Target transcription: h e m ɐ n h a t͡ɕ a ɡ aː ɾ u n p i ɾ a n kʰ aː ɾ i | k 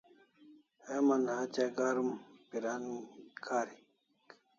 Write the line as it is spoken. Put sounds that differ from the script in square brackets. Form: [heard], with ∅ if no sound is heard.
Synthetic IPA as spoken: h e m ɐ n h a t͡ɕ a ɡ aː ɾ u [m] p i ɾ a n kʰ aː ɾ i | k